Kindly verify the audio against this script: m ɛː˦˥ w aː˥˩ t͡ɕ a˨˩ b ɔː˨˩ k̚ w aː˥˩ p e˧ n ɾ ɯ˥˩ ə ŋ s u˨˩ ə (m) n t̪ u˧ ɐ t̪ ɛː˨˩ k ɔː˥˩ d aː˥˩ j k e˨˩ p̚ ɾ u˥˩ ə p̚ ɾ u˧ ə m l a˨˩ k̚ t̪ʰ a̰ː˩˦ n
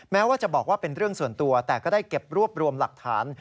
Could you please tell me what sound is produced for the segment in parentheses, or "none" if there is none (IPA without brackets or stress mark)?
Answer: none